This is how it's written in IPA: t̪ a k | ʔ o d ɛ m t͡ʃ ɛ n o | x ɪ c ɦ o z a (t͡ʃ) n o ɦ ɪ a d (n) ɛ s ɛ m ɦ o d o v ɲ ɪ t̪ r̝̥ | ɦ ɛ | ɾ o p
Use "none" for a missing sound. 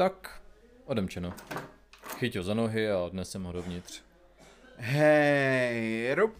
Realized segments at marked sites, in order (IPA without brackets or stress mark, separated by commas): none, n